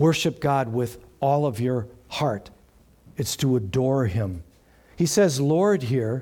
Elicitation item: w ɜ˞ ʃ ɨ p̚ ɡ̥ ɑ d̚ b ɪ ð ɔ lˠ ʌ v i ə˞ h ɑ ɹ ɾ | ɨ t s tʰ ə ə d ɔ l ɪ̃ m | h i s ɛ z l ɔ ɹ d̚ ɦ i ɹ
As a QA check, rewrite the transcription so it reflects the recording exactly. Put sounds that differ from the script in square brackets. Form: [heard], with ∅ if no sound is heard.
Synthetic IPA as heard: w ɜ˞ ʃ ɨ p̚ ɡ̥ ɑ d̚ [w] ɪ ð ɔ lˠ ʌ v [j] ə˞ h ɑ ɹ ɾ | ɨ t s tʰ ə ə d ɔ [ɹ] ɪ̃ m | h i s ɛ z l ɔ ɹ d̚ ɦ i ɹ